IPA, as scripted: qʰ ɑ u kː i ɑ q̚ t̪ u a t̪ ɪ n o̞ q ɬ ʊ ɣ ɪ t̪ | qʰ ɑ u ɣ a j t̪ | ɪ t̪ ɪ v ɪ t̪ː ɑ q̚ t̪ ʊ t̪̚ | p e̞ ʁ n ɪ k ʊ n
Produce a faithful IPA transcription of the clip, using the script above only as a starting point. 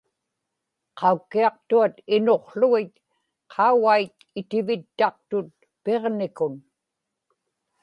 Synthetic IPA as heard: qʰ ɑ u kː i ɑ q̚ t̪ u a t̪ ɪ n o̞ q ɬ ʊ ɣ ɪ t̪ | qʰ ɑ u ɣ a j t̪ | ɪ t̪ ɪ v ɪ t̪ː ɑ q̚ t̪ ʊ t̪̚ | p e̞ ʁ n ɪ k ʊ n